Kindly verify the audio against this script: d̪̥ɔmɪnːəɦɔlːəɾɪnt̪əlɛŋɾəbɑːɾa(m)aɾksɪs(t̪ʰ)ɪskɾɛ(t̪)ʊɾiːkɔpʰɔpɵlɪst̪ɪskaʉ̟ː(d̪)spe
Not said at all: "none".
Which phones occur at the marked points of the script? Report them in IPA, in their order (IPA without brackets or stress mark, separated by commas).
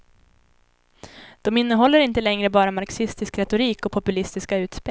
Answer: m, t̪, t̪, t̪